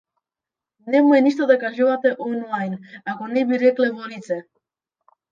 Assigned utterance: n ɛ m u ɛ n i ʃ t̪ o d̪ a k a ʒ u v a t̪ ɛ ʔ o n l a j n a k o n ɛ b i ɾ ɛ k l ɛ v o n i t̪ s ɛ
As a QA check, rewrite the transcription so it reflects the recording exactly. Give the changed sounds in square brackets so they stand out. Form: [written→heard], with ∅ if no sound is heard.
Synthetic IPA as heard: n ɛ m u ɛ n i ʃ t̪ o d̪ a k a ʒ u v a t̪ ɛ ʔ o n l a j n a k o n ɛ b i ɾ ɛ k l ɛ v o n i t̪ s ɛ